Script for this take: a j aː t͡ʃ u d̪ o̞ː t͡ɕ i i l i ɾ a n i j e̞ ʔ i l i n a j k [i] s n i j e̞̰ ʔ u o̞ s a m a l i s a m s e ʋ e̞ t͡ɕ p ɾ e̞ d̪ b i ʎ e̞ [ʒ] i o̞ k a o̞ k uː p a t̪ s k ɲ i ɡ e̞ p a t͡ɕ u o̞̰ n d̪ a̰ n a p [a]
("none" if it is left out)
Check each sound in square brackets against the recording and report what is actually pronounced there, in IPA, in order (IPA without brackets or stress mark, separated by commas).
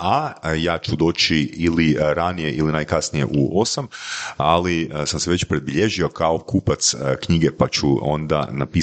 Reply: a, ʒ, i